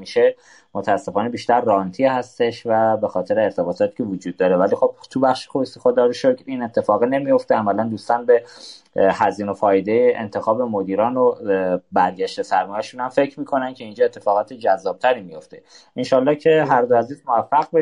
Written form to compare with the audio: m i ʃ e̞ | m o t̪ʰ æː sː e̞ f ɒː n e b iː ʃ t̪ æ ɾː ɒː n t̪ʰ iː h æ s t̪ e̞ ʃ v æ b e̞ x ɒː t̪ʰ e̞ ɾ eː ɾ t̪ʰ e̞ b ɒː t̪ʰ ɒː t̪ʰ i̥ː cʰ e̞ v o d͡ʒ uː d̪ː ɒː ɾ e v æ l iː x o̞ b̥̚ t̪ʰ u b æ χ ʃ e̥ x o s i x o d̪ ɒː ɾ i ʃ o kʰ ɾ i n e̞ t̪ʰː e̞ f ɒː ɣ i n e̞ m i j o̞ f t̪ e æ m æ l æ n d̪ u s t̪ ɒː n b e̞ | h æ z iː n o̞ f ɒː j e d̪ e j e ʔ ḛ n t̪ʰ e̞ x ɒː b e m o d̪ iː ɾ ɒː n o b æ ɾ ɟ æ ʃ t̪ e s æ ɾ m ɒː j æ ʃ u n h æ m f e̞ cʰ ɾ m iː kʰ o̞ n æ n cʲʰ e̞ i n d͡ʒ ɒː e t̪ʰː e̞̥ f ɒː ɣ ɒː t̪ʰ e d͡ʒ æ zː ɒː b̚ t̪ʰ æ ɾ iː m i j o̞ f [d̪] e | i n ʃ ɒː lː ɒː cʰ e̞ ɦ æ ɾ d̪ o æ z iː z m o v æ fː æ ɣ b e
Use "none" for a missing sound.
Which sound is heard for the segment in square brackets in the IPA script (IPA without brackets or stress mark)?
t̪